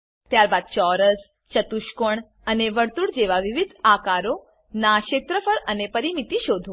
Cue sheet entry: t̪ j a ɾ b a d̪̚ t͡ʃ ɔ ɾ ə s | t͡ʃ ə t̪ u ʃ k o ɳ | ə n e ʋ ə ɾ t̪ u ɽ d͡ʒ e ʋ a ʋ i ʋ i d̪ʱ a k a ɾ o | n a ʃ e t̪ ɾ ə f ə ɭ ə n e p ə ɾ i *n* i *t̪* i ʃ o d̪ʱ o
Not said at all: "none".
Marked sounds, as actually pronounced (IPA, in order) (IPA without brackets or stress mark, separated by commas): m, t̪